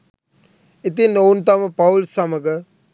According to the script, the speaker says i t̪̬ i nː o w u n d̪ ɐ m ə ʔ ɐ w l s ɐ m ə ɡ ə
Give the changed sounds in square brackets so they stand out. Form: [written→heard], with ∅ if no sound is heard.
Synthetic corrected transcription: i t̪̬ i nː o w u n [d̪→t̪] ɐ m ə [ʔ→p] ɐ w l s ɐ m ə ɡ ə